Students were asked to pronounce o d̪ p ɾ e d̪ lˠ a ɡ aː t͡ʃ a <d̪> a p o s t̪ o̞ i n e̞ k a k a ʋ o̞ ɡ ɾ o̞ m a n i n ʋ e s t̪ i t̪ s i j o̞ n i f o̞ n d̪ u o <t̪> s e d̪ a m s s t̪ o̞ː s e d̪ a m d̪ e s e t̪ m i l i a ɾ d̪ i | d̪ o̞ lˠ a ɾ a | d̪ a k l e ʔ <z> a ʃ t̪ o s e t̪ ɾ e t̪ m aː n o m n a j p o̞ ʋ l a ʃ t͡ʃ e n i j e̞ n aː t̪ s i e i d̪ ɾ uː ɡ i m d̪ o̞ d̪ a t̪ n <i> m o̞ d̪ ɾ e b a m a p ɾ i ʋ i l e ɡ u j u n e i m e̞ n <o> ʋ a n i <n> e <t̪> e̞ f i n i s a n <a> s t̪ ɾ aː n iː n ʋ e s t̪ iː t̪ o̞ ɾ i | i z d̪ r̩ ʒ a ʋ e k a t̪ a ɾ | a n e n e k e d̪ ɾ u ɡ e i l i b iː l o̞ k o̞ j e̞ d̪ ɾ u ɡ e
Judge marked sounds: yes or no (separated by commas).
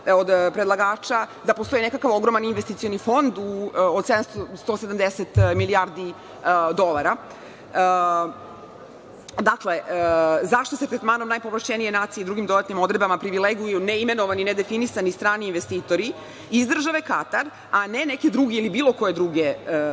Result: yes, no, yes, yes, yes, yes, no, no